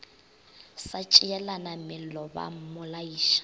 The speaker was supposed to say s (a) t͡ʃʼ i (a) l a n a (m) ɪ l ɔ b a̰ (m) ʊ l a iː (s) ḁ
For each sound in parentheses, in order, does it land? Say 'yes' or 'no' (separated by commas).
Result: yes, no, yes, yes, no